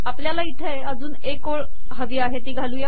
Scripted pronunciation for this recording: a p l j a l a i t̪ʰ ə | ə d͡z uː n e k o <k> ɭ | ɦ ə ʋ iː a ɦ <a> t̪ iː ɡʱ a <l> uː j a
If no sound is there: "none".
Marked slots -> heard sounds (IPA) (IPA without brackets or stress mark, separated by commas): none, e, l